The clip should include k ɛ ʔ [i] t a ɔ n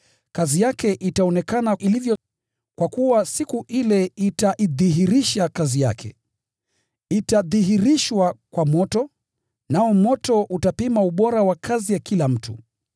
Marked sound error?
no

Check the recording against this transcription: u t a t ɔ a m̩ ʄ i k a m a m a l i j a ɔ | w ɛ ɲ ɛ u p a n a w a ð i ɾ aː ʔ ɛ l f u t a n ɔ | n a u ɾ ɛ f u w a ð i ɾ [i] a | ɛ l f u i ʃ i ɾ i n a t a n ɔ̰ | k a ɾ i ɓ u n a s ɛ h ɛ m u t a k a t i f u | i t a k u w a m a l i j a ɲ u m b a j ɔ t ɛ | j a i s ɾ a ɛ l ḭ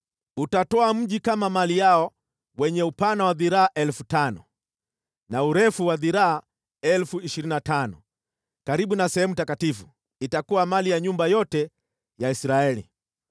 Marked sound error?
yes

